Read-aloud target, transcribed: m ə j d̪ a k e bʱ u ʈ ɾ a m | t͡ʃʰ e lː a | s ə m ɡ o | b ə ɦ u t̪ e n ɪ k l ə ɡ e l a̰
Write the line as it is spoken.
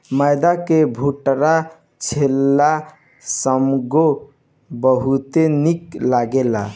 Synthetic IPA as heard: m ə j d̪ a k e bʱ u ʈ ɾ a | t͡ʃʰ e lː a | s ə m ɡ o | b ə ɦ u t̪ e n i k l a ɡ e l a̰